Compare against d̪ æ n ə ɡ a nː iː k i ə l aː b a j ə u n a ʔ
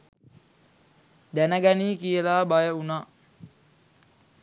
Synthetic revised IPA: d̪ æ n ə ɡ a n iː k i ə l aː b a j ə u n a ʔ